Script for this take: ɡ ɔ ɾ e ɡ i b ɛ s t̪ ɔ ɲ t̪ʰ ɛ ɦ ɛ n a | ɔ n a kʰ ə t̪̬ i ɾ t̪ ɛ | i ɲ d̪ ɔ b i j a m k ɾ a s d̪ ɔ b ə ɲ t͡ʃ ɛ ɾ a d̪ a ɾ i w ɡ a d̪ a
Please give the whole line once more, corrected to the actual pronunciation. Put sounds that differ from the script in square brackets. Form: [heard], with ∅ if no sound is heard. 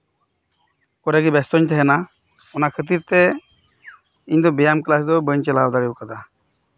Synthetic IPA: [k] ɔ ɾ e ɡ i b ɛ s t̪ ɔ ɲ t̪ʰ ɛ ɦ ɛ n a | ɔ n a kʰ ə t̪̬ i ɾ t̪ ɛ | i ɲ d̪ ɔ b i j a m k [l] a s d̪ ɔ b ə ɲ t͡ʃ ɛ [l] a d̪ a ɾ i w [k] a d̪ a